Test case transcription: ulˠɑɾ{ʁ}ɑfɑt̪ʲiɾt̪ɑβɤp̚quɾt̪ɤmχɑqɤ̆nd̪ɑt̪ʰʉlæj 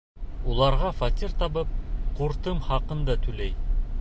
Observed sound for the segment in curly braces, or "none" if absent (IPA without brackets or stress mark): ʁ